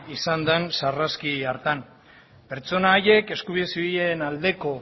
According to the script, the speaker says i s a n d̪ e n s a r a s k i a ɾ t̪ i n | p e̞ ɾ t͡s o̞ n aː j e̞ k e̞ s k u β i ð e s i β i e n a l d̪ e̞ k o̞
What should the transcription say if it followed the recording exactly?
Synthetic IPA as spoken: i s a n d̪ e n s a r a s k i a ɾ t̪ a n | p e̞ ɾ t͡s o̞ n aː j e̞ k e̞ s k u β i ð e s i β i e n a l d̪ e̞ k o̞